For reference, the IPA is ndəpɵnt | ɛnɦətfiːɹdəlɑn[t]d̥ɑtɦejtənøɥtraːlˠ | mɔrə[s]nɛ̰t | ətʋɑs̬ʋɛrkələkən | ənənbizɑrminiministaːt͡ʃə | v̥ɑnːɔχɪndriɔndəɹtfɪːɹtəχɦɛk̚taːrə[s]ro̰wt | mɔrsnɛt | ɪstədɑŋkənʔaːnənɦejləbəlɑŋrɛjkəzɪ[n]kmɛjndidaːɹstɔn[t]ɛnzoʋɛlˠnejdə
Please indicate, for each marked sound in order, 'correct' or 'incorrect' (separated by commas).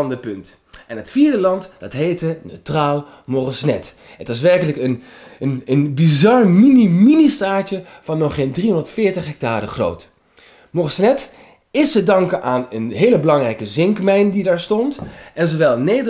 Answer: correct, correct, incorrect, incorrect, correct